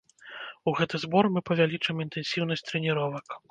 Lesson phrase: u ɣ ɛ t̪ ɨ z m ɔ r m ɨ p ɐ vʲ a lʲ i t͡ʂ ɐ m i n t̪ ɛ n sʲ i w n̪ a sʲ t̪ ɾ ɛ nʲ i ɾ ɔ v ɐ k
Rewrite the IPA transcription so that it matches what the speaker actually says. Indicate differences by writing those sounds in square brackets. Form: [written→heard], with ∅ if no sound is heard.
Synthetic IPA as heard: u ɣ ɛ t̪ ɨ z [m→b] ɔ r m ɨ p ɐ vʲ a lʲ i t͡ʂ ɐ m i n t̪ ɛ n sʲ i w n̪ [a→ɐ] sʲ t̪ ɾ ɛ nʲ i ɾ ɔ v ɐ k